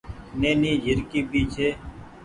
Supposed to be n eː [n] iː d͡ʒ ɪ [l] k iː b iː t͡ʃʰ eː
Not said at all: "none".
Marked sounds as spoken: n, ɾ

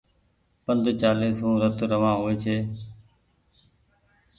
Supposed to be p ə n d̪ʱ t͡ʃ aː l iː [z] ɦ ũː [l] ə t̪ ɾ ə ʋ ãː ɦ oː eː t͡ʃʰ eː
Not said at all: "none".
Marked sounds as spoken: s, ɾ

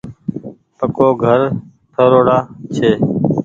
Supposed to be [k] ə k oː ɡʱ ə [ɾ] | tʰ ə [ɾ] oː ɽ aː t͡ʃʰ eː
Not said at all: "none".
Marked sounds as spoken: p, ɾ, ɾ

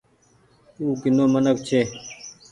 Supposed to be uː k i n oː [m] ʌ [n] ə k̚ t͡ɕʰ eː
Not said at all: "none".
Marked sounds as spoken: m, n

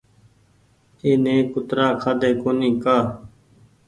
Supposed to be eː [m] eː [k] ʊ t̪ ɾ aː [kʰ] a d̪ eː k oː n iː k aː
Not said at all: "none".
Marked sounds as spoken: n, k, kʰ

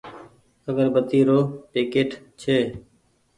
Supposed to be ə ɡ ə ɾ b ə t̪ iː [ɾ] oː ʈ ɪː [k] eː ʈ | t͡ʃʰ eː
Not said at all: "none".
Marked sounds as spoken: ɾ, k

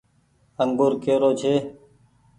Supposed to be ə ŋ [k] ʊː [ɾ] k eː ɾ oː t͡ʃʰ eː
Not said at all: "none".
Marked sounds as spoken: ɡ, ɾ

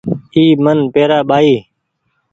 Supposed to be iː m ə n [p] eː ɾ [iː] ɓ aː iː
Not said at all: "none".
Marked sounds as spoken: p, aː

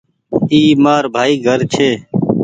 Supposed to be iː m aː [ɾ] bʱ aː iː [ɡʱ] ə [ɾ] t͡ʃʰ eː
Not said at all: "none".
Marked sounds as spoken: ɾ, ɡʱ, ɾ

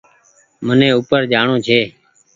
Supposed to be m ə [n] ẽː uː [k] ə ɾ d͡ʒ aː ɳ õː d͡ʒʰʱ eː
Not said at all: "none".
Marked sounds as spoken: n, p

